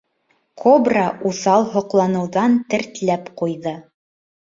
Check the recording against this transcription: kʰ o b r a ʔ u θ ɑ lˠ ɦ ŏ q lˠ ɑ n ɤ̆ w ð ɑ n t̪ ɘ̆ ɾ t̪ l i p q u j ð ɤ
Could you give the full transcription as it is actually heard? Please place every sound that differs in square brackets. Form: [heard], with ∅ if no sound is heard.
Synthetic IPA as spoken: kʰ o b r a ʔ u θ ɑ lˠ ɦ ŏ q lˠ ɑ n ɤ̆ w ð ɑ n t̪ ɘ̆ ɾ t̪ l [æ] p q u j ð ɤ